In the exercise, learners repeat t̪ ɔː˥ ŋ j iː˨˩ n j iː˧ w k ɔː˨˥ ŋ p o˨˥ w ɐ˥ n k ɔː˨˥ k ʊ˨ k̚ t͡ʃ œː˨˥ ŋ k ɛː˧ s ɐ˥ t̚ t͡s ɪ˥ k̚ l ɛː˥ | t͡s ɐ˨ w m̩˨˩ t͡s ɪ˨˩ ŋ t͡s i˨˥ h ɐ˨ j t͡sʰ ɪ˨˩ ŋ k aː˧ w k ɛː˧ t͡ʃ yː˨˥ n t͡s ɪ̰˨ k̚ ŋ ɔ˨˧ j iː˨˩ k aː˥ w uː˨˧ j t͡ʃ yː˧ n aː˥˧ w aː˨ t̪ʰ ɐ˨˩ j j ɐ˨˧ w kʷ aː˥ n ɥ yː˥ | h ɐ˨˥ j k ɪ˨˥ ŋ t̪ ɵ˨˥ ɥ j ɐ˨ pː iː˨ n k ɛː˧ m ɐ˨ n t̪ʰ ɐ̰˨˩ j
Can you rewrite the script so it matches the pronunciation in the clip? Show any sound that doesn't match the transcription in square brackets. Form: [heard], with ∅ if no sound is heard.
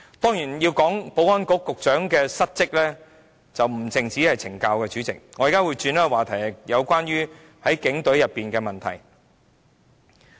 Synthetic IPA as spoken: t̪ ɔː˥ ŋ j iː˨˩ n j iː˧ w k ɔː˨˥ ŋ p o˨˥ w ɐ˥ n k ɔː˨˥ k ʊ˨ k̚ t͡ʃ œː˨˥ ŋ k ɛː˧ s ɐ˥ t̚ t͡s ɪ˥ k̚ l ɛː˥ | t͡s ɐ˨ w m̩˨˩ t͡s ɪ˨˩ ŋ t͡s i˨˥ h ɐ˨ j t͡sʰ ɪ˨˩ ŋ k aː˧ w k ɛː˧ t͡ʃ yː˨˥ [∅] t͡s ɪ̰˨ k̚ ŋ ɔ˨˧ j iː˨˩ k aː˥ w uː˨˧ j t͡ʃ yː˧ n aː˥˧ w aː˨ t̪ʰ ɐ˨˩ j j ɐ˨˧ w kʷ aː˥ n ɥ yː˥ | h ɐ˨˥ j k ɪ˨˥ ŋ t̪ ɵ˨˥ ɥ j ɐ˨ pː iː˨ n k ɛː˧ m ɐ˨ n t̪ʰ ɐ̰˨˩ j